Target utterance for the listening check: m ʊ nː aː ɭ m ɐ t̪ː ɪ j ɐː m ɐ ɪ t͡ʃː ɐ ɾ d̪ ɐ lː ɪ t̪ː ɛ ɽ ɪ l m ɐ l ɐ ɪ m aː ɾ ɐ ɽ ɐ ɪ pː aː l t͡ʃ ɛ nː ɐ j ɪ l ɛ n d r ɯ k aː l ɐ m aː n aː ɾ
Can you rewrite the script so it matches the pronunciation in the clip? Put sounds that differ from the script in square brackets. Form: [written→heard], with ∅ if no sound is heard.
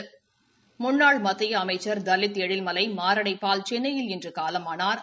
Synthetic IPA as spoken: m ʊ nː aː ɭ m ɐ t̪ː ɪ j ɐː m ɐ ɪ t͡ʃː ɐ ɾ d̪ ɐ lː ɪ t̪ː ɛ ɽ ɪ l m ɐ l ɐ ɪ m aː ɾ ɐ ɽ ɐ ɪ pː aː l t͡ʃ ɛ nː ɐ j ɪ l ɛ n d r ɯ k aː l ɐ m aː n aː ɾ

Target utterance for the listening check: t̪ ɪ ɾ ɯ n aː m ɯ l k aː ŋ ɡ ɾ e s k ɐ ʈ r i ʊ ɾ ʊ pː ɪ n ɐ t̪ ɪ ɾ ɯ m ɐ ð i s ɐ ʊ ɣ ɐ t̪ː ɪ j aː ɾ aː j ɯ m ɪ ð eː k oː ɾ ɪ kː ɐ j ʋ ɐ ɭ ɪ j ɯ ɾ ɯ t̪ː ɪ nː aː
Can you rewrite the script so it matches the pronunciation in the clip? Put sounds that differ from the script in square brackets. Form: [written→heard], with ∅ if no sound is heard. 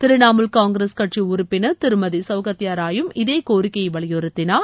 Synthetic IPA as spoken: t̪ ɪ ɾ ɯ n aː m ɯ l k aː ŋ ɡ ɾ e s k ɐ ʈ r i ʊ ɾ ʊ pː ɪ n ɐ t̪ ɪ ɾ ɯ m ɐ ð i s ɐ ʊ ɣ ɐ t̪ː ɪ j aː ɾ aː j ɯ m ɪ ð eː k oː ɾ ɪ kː ɐ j ʋ ɐ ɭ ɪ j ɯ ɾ ɯ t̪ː ɪ [nː→n] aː

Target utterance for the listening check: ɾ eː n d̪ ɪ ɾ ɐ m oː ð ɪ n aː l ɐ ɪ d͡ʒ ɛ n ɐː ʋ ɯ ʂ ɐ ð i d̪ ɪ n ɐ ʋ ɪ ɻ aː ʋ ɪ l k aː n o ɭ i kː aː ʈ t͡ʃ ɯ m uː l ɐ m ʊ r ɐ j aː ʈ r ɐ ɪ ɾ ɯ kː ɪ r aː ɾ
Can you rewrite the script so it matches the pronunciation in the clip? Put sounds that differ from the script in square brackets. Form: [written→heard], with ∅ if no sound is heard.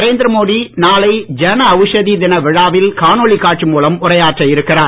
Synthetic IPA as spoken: ɾ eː n d̪ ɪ ɾ ɐ m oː ð [ɪ→i] n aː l ɐ ɪ d͡ʒ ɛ n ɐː ʋ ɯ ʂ ɐ ð i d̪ ɪ n ɐ ʋ ɪ ɻ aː ʋ ɪ l k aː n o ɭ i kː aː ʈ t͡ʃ ɯ m uː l ɐ m ʊ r ɐ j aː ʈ r ɐ ɪ ɾ ɯ kː ɪ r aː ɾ

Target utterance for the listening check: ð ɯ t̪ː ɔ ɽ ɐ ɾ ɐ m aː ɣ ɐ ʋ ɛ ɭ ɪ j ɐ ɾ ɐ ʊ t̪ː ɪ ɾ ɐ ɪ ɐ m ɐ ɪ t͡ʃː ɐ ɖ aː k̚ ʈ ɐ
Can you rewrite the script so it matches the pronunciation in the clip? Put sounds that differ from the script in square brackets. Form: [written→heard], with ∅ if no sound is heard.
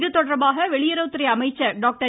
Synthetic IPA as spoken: ð ɯ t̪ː ɔ ɽ ɐ ɾ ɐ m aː ɣ ɐ ʋ ɛ ɭ ɪ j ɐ ɾ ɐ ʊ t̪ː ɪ ɾ ɐ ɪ ɐ m ɐ ɪ t͡ʃː ɐ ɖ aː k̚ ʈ ɐ

